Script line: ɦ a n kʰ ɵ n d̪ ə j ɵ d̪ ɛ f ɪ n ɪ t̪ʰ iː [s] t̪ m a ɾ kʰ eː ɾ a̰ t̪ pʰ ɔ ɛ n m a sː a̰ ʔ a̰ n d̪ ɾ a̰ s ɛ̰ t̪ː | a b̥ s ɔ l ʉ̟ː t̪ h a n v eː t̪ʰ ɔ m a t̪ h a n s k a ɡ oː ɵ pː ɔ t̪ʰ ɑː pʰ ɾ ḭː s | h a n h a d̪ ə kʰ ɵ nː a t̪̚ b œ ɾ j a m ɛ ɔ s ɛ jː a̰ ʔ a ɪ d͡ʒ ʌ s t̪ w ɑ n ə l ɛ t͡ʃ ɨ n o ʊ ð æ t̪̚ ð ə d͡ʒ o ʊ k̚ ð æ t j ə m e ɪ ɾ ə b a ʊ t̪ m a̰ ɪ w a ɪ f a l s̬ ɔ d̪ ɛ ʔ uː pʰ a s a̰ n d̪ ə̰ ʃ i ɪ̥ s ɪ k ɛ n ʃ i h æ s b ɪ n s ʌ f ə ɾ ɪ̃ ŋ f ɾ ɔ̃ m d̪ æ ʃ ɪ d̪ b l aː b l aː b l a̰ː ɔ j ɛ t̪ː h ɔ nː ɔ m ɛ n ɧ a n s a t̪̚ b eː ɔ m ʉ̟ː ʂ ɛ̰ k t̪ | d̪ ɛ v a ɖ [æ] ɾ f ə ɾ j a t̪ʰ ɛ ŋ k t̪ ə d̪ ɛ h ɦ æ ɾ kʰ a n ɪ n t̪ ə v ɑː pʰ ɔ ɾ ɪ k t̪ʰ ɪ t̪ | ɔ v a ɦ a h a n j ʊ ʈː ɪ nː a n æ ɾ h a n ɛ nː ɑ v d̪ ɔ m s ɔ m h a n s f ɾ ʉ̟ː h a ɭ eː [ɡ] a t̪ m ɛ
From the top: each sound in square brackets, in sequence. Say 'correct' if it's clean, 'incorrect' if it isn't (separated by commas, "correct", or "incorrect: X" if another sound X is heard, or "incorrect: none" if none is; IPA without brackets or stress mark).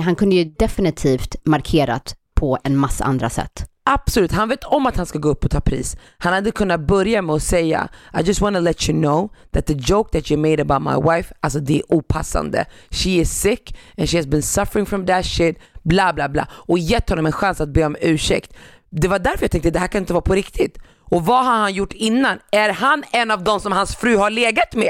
incorrect: f, correct, correct